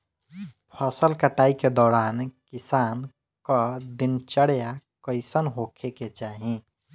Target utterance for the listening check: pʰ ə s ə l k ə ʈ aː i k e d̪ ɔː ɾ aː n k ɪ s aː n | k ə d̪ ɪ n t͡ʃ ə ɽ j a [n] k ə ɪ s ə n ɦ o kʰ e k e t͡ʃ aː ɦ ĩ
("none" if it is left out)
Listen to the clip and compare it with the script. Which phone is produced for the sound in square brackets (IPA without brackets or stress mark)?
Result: none